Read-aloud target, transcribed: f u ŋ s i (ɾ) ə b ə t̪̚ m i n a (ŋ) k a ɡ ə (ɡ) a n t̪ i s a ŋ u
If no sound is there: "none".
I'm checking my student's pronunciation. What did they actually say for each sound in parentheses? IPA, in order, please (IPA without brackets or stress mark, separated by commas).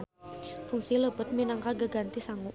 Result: l, ŋ, ɡ